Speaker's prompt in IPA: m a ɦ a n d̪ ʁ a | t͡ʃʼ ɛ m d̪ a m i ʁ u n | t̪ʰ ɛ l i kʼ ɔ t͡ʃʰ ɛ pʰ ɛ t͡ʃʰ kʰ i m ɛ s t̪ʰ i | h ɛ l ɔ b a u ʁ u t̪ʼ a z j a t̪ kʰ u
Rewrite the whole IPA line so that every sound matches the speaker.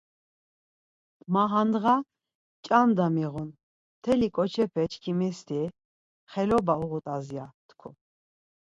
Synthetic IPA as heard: m a ɦ a n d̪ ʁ a | t͡ʃʼ a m d̪ a m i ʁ u n | t̪ʰ ɛ l i kʼ ɔ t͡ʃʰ ɛ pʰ ɛ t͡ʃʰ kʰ i m ɛ s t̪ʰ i | χ ɛ l ɔ b a u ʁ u t̪ʼ a z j a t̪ kʰ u